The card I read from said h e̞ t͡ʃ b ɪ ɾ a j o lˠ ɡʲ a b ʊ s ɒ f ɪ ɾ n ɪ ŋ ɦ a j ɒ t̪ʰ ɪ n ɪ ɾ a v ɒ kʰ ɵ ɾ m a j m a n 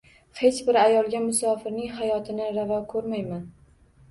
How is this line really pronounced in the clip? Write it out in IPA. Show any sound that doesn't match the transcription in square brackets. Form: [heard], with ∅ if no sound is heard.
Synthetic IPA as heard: h e̞ t͡ʃ b ɪ ɾ a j [ɒ] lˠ ɡʲ a [m] ʊ s ɒ f ɪ ɾ n ɪ ŋ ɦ a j ɒ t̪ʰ ɪ n ɪ ɾ a v ɒ kʰ ɵ ɾ m a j m a n